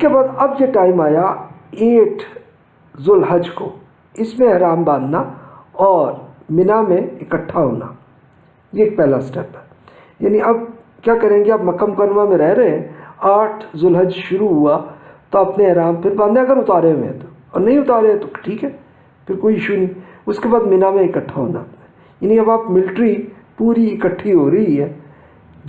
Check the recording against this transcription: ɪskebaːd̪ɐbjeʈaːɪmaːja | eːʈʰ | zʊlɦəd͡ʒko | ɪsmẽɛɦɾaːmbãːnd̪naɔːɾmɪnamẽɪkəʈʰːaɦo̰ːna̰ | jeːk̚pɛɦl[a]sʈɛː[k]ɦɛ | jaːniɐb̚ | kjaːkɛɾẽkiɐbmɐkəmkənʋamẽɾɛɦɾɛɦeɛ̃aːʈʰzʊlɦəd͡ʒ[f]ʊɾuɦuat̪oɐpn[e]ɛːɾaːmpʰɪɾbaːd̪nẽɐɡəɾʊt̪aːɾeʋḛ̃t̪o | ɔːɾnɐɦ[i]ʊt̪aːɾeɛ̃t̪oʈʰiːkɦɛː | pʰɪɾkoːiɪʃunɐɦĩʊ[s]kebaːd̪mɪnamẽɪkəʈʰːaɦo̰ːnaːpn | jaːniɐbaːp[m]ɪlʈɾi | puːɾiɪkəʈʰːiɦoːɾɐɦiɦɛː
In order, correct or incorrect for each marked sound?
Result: correct, incorrect, incorrect, correct, incorrect, correct, correct

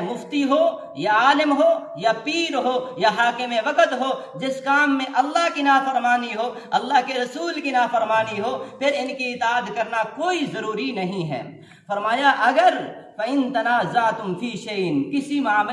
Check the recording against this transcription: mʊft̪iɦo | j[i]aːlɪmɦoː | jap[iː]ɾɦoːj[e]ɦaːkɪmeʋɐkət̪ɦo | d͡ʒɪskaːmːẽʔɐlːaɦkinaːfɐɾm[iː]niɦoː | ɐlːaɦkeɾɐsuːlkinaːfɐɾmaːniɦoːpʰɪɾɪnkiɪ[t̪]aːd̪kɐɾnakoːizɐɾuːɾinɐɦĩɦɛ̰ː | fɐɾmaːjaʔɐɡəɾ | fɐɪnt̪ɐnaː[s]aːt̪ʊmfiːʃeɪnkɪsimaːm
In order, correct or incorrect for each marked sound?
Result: incorrect, correct, incorrect, incorrect, correct, incorrect

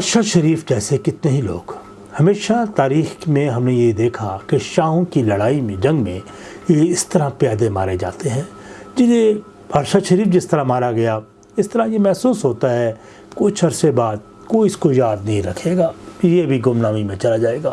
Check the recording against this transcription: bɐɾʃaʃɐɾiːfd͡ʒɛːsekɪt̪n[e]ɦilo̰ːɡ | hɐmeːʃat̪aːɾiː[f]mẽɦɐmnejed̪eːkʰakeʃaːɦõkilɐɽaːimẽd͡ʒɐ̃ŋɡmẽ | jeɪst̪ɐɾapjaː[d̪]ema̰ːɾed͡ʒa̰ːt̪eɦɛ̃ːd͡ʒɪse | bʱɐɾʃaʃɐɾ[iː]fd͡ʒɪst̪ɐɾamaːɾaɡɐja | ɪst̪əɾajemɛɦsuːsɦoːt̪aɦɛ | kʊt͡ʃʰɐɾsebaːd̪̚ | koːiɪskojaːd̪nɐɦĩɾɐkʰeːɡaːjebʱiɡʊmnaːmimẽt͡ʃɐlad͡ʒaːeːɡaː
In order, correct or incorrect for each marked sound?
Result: correct, incorrect, correct, correct

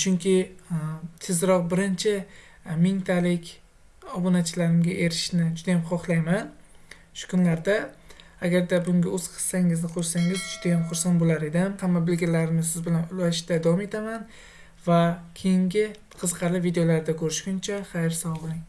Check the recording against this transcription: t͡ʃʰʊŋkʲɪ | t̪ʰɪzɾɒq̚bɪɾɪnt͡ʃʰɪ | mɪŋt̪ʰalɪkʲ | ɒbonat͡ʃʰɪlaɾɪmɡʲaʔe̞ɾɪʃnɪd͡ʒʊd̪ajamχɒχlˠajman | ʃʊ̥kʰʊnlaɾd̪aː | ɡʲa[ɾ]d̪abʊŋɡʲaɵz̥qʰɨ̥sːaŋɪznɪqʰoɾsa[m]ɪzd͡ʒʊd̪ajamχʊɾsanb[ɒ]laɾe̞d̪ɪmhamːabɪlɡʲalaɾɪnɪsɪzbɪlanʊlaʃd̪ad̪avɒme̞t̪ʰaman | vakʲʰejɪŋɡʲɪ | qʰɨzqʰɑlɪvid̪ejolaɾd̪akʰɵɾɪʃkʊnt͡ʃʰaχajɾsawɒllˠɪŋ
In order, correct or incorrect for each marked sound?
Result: correct, incorrect, incorrect

